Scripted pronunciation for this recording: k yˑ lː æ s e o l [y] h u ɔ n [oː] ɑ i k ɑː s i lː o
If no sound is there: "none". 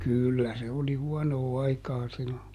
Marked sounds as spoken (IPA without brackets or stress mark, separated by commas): i, oː